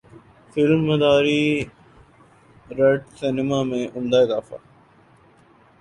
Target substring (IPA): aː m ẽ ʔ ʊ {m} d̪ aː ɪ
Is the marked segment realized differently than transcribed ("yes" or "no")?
no